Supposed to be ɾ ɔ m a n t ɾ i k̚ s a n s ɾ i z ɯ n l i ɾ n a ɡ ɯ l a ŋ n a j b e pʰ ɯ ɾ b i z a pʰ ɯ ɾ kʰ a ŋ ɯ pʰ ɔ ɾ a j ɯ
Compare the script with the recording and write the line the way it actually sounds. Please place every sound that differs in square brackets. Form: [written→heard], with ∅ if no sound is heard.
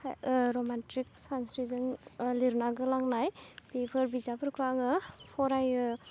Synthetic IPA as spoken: ɾ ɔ m a n t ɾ i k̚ s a n s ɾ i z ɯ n l i ɾ n a ɡ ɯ l a ŋ n a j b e pʰ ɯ ɾ b i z a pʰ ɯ ɾ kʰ a ŋ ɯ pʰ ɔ ɾ a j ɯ